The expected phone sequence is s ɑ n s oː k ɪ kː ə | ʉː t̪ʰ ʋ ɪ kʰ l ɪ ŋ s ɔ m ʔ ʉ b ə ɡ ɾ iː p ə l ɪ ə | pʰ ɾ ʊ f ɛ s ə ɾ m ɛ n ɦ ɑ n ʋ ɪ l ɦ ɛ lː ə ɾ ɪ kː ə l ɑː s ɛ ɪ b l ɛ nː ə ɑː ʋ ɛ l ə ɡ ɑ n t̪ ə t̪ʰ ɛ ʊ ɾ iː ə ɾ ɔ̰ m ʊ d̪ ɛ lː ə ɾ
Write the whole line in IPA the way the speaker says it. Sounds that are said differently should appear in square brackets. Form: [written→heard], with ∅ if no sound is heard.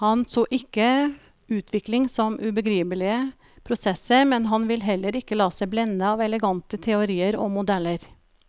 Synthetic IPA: [s→h] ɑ n s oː [k→ʔ] ɪ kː ə | ʉː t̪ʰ ʋ ɪ [kʰ→k] l ɪ ŋ s ɔ m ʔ ʉ b ə ɡ ɾ iː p ə l ɪ ə | pʰ ɾ ʊ [f→s] ɛ s ə ɾ m ɛ n ɦ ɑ n ʋ ɪ l ɦ ɛ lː ə ɾ ɪ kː ə l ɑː s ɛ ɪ b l ɛ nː ə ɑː ʋ ɛ l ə ɡ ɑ n t̪ ə t̪ʰ ɛ ʊ ɾ iː ə ɾ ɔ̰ m ʊ d̪ ɛ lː ə ɾ